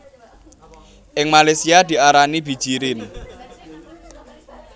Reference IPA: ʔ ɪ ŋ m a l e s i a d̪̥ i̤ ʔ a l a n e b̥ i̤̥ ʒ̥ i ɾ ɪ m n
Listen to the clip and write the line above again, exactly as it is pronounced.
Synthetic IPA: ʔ ɪ ŋ m a l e s i a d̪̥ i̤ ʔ a ɾ a n i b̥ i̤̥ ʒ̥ i ɾ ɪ n